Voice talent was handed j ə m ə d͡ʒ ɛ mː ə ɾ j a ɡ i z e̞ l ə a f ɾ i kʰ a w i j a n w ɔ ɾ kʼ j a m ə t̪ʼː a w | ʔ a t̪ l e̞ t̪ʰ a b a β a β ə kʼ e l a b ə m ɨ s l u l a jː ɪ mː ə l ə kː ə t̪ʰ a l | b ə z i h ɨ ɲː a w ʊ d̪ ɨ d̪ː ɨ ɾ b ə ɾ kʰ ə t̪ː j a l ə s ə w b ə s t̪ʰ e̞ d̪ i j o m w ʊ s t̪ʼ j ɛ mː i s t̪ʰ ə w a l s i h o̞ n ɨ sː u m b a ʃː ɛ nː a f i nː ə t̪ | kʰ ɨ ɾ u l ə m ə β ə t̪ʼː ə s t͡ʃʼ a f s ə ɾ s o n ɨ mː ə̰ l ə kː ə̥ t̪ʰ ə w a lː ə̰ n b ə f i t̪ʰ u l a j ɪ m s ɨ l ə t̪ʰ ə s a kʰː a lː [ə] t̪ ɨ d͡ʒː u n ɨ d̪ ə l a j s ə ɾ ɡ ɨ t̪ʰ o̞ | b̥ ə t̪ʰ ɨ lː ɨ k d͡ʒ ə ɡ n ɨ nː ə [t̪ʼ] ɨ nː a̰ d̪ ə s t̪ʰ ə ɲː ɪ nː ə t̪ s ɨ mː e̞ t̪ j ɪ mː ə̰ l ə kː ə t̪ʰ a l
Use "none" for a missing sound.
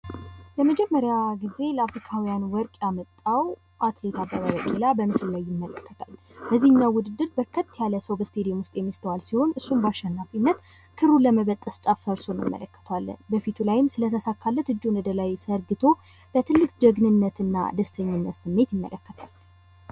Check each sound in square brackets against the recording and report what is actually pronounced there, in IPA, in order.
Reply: ə, t̪

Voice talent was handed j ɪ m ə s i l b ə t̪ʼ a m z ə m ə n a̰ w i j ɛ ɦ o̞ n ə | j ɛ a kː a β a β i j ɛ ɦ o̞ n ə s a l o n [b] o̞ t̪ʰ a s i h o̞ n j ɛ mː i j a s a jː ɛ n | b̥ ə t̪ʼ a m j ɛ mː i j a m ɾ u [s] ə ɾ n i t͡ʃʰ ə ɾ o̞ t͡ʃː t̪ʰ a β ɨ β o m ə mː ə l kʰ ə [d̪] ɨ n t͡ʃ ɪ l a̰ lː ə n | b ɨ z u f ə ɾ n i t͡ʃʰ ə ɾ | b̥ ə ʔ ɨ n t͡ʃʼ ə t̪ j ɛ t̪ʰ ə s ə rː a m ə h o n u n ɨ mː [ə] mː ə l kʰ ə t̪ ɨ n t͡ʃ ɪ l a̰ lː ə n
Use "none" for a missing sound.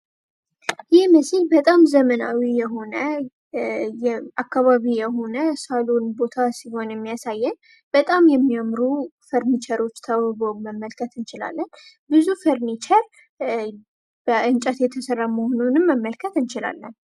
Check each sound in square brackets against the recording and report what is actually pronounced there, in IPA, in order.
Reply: b, f, t̪, ə

